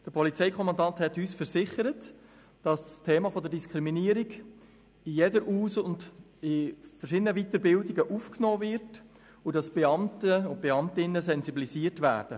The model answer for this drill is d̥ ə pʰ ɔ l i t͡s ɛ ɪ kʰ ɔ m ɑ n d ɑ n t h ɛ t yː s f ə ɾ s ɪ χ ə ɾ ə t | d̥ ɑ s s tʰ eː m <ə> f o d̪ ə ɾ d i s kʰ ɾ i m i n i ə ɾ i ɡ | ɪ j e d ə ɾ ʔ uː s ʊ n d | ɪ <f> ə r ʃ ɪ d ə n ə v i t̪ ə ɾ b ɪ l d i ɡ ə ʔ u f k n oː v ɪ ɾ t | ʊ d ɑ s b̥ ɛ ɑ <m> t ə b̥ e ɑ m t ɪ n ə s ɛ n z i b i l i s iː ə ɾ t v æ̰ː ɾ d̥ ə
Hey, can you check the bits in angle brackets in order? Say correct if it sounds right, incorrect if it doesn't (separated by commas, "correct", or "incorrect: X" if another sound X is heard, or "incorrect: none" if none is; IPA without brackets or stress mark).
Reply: incorrect: ɑ, correct, correct